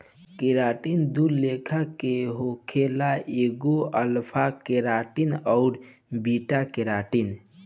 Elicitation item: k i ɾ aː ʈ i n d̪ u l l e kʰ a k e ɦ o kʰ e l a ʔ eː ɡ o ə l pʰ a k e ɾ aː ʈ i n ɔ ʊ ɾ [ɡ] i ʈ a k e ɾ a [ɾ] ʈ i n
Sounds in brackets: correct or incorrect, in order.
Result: incorrect, incorrect

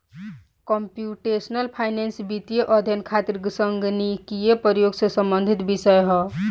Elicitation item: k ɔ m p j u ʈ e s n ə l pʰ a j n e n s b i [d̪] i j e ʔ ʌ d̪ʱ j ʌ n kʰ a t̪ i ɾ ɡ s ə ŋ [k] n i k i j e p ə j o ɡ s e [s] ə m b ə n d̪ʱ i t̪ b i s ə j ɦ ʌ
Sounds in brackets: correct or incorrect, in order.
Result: incorrect, incorrect, correct

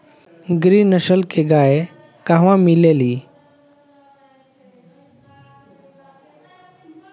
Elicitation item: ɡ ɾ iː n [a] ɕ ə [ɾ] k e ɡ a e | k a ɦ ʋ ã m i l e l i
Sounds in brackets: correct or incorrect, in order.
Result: incorrect, incorrect

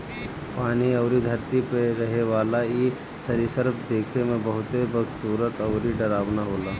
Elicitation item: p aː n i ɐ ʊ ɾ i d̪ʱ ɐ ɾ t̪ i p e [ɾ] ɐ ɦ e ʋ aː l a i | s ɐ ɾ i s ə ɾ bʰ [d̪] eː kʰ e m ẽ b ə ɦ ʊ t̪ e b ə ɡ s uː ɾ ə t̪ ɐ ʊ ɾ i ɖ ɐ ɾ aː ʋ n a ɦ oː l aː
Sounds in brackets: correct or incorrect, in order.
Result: correct, correct

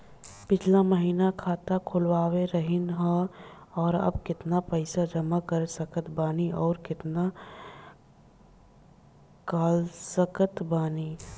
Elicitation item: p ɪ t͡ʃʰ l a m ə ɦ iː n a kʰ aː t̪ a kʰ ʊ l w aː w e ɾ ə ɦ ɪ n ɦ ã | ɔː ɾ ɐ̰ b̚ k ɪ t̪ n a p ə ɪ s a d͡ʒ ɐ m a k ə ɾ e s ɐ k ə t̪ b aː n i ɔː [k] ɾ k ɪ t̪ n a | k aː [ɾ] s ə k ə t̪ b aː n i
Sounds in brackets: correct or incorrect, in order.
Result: incorrect, incorrect

